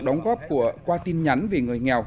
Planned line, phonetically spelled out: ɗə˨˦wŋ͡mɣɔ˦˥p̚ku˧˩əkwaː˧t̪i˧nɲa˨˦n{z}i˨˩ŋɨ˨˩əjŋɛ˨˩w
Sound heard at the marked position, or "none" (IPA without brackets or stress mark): v